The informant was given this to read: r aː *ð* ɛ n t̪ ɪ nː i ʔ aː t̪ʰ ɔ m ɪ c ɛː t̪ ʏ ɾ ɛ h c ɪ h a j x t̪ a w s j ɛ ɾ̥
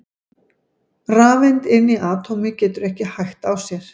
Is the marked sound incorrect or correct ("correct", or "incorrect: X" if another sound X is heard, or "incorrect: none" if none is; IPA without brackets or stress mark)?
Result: incorrect: v